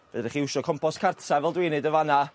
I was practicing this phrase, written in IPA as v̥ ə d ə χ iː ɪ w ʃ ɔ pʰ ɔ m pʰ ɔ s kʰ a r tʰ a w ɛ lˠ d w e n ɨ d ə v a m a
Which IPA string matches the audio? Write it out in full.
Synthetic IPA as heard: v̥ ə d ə χ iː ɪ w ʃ ɔ kʰ ɔ m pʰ ɔ s kʰ a r tʰ a v ɛ lˠ d w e n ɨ d ə v a n a